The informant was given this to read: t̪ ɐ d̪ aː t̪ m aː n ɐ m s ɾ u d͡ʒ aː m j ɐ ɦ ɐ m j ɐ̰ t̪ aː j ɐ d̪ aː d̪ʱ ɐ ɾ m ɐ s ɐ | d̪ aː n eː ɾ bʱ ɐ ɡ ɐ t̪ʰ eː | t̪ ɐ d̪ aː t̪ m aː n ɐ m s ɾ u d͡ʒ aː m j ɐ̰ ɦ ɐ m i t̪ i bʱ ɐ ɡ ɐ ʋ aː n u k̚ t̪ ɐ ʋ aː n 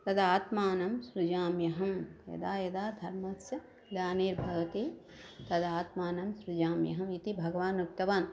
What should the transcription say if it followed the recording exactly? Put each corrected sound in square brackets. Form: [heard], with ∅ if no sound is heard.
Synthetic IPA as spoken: t̪ ɐ d̪ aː t̪ m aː n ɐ m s ɾ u d͡ʒ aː m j ɐ ɦ ɐ m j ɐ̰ [d̪] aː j ɐ d̪ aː d̪ʱ ɐ ɾ m ɐ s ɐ | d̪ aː n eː ɾ bʱ ɐ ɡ ɐ [t̪] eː | t̪ ɐ d̪ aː t̪ m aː n ɐ m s ɾ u d͡ʒ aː m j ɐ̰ ɦ ɐ m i t̪ i bʱ ɐ ɡ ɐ ʋ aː n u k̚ t̪ ɐ ʋ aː n